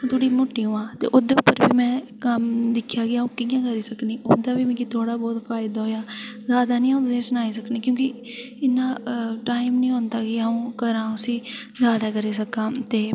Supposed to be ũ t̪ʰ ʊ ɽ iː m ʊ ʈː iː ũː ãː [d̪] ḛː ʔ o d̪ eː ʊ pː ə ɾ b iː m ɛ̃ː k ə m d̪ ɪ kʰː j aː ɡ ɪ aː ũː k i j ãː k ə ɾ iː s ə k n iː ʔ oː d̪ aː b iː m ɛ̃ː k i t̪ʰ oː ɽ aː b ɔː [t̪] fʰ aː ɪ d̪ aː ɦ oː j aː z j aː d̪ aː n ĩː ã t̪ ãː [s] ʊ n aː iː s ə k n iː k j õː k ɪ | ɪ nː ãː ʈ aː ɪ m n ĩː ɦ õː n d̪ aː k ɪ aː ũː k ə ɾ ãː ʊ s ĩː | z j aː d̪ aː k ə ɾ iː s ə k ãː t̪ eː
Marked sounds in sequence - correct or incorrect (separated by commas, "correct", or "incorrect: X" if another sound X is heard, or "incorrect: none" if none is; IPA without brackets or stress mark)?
incorrect: t̪, correct, correct